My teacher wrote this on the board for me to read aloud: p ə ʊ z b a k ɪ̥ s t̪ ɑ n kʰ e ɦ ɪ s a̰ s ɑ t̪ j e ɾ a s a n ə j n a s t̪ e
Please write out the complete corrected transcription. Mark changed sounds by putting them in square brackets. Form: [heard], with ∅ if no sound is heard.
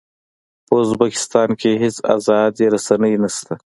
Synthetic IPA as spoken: p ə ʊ z b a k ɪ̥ s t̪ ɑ n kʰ e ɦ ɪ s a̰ [z] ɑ [d̪] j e ɾ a s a n ə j n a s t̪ [a]